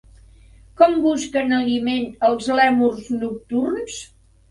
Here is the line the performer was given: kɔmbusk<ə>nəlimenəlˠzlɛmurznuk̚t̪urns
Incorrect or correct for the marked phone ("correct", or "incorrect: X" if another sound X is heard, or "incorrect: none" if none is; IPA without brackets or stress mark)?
correct